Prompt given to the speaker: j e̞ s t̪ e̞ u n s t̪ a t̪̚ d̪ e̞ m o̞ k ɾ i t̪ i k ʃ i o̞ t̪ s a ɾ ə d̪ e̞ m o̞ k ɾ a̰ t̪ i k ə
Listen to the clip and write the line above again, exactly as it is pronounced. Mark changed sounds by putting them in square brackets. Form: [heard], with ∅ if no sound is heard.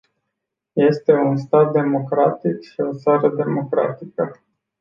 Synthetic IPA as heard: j e̞ s t̪ e̞ u n s t̪ a t̪̚ d̪ e̞ m o̞ k ɾ [a] t̪ i k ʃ i o̞ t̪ s a ɾ ə d̪ e̞ m o̞ k ɾ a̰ t̪ i k ə